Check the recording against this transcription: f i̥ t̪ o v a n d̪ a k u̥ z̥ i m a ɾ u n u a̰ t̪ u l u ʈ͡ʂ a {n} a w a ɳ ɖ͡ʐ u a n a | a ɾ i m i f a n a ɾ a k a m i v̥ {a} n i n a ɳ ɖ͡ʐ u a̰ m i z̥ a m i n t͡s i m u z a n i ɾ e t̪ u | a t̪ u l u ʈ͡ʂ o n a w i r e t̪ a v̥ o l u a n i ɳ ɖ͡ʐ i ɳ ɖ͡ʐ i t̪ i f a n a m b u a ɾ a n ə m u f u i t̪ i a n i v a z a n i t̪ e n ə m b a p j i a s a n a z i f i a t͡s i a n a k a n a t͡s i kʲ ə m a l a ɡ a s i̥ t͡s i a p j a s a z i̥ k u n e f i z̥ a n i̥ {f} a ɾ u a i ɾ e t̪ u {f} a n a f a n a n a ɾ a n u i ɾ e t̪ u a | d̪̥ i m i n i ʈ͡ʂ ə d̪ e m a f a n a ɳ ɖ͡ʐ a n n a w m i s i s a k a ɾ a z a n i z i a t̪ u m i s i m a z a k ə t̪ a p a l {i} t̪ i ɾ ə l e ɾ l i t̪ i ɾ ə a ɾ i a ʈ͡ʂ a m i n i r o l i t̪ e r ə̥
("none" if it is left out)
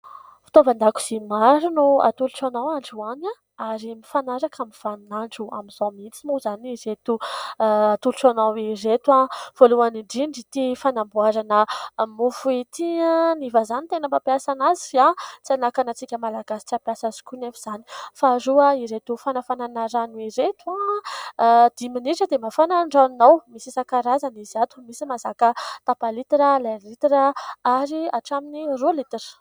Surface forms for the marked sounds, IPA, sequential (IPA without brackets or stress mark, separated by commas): n, a, f, f, i